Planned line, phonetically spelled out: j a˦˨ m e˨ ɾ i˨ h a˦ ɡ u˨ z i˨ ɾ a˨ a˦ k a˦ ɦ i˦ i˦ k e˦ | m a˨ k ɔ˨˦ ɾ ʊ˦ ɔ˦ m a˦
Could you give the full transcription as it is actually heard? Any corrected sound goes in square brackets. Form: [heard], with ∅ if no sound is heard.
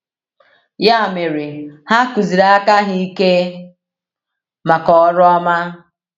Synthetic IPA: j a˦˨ m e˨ ɾ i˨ h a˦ [k] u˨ z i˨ ɾ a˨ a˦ k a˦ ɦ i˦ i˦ k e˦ | m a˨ k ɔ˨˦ ɾ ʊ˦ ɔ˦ m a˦

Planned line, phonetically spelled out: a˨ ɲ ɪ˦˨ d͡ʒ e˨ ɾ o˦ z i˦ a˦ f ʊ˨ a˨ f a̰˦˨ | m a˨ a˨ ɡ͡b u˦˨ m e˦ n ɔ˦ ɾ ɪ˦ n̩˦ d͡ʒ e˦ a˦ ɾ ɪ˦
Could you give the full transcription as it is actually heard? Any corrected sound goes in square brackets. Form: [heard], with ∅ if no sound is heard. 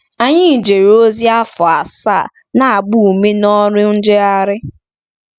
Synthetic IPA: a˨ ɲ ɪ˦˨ d͡ʒ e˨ ɾ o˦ z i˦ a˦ f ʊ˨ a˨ [s] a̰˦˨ | [n] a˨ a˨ ɡ͡b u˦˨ m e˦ n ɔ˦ ɾ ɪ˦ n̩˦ d͡ʒ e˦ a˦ ɾ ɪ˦

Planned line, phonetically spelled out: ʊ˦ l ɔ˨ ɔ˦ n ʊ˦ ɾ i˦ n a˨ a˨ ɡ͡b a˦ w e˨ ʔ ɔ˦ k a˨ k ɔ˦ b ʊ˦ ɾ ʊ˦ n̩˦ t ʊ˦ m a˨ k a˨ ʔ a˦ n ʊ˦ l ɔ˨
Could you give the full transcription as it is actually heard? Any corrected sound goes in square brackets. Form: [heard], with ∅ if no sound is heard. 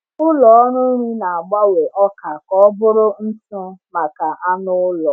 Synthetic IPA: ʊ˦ l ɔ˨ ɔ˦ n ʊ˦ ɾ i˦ n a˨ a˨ ɡ͡b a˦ w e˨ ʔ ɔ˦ k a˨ k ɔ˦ b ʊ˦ ɾ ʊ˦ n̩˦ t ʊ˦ m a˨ k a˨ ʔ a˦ n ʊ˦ l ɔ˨

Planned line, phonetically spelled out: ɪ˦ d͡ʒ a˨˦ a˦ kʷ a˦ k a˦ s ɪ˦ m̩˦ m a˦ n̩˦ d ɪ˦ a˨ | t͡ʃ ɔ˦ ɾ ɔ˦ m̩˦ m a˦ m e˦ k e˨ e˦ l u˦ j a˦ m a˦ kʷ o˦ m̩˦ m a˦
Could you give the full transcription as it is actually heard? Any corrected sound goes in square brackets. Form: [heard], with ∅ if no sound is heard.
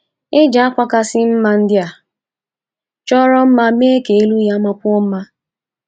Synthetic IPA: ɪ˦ d͡ʒ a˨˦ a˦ kʷ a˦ k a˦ s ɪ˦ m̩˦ m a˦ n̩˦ d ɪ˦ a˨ | t͡ʃ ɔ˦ ɾ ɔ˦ m̩˦ m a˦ m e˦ k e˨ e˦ l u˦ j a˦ m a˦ kʷ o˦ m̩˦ m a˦

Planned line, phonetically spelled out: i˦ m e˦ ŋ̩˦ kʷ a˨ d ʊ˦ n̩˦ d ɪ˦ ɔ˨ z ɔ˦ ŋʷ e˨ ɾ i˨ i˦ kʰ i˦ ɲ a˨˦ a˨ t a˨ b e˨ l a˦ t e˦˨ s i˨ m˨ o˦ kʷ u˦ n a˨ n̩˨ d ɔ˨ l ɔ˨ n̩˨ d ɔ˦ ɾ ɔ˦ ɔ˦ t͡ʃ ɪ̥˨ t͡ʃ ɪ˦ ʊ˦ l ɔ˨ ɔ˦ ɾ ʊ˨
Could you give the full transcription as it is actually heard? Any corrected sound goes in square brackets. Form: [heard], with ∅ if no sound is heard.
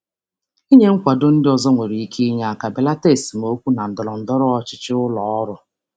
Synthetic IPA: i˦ [ɲ] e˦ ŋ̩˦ kʷ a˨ d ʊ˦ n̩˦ d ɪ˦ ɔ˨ z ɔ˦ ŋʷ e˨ ɾ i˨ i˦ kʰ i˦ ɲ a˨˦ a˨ [k] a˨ b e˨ l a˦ t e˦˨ s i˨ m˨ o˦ kʷ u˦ n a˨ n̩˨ d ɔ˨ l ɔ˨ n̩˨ d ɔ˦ ɾ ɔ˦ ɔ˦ t͡ʃ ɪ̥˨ t͡ʃ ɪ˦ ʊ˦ l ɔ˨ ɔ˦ ɾ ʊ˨

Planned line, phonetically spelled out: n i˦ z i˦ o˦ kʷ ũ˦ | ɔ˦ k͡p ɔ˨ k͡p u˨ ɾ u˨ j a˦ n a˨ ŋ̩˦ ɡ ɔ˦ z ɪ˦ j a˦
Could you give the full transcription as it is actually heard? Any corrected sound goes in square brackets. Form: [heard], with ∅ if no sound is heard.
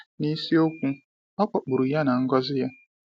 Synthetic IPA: n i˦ [s] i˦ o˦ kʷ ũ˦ | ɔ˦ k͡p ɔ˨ k͡p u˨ ɾ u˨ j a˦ n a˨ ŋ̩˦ ɡ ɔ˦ z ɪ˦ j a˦

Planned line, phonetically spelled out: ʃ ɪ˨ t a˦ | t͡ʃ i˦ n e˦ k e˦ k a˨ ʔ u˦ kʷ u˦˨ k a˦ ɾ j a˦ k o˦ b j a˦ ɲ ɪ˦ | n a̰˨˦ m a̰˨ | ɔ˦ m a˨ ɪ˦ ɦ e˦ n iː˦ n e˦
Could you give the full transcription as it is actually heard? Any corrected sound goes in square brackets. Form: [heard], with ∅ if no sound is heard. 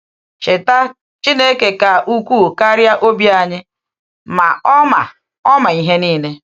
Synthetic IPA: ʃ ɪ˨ t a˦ | t͡ʃ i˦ n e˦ k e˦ k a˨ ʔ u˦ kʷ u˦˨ k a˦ ɾ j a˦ [ʔ] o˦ b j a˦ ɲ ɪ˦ | [m] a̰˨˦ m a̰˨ | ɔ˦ m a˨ [i˦] ɦ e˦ n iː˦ n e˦

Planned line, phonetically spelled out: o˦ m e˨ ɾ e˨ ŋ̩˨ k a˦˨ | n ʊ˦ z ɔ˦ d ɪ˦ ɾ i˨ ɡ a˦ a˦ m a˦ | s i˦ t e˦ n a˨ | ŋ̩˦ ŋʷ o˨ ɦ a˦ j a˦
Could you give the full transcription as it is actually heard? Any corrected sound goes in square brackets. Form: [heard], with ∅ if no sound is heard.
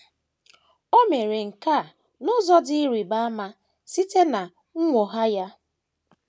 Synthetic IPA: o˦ m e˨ ɾ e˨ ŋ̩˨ k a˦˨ | n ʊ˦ z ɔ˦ d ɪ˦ ɾ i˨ [b] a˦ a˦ m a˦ | s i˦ t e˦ n a˨ | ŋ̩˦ ŋʷ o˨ ɦ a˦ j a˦

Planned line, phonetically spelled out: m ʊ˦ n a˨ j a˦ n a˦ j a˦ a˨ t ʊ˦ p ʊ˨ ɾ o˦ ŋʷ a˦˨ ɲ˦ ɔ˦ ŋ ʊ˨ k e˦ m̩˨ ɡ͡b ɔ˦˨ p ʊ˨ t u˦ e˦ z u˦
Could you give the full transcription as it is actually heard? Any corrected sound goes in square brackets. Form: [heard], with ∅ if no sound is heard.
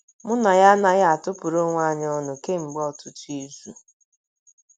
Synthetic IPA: m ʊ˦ n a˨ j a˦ n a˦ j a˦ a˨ t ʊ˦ p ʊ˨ ɾ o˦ ŋʷ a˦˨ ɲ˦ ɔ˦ [n] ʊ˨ k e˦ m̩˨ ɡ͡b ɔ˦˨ [t] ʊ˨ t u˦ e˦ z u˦

